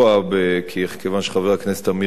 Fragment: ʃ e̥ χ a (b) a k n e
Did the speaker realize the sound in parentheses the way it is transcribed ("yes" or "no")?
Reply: no